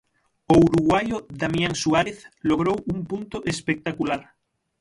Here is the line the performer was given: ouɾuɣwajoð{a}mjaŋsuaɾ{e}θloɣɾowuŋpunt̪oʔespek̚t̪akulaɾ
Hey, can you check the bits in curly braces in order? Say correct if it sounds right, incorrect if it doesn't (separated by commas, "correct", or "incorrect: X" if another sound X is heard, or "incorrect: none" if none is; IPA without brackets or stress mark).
correct, correct